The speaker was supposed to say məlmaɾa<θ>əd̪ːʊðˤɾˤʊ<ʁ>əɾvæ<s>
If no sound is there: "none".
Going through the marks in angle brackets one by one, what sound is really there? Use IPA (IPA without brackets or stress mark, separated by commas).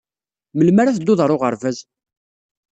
θ, ʁ, z